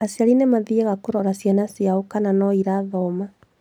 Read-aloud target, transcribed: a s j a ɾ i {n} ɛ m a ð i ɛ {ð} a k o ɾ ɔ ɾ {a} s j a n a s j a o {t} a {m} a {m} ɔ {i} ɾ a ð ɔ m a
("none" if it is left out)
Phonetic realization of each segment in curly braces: n, ɣ, a, k, n, n, i

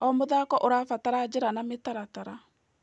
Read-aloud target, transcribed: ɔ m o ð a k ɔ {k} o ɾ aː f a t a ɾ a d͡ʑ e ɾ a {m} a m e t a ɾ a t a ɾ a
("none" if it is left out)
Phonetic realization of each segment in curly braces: ʔ, n

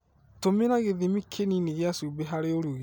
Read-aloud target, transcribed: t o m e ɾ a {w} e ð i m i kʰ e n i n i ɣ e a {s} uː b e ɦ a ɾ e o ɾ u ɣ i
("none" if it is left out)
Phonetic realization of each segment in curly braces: ɣ, s

